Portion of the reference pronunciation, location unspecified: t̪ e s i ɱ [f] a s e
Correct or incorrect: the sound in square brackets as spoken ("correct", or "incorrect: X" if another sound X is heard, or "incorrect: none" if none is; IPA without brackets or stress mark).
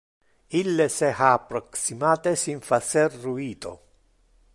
correct